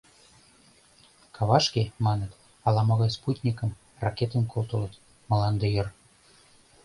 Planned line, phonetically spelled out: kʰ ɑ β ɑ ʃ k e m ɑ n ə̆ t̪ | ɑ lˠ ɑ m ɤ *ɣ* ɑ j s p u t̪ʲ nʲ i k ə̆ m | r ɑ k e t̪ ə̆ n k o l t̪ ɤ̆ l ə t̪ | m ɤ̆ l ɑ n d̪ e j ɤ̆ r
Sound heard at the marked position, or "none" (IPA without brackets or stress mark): ɣ